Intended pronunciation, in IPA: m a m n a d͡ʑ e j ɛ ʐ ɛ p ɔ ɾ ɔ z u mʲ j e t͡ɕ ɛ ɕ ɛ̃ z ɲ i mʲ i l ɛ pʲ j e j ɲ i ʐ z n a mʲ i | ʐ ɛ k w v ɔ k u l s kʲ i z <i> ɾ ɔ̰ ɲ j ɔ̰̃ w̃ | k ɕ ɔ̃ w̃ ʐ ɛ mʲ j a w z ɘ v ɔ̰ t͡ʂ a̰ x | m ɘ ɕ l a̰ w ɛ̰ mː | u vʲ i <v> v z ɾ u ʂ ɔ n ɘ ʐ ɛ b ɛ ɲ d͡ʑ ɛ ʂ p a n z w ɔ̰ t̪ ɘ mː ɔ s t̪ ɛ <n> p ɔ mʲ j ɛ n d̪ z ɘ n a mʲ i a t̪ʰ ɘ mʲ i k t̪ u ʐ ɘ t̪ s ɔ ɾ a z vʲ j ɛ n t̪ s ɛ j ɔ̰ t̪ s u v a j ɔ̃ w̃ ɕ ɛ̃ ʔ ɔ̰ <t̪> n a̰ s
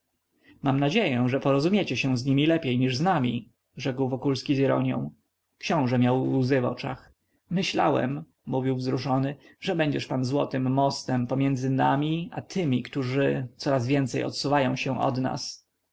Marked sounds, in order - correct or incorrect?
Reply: correct, incorrect: w, incorrect: m, incorrect: d̪

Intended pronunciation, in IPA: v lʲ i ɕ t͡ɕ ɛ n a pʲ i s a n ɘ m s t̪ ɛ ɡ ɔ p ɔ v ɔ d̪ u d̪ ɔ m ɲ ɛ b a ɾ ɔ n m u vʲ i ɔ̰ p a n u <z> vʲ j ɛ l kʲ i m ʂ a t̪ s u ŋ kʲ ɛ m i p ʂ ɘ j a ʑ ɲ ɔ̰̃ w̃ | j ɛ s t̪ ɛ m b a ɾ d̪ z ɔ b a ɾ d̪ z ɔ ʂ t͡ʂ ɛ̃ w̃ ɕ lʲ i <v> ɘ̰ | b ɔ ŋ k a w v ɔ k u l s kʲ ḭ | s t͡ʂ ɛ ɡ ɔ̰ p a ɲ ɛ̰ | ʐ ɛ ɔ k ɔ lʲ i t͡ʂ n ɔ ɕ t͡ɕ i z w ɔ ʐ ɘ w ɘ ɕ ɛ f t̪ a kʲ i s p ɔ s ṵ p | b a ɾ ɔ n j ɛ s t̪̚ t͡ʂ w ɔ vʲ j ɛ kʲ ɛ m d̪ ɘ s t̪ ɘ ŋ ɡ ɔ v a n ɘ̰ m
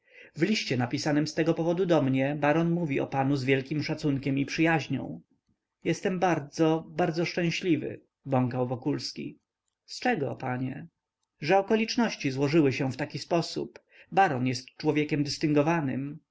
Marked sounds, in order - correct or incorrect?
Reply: correct, correct

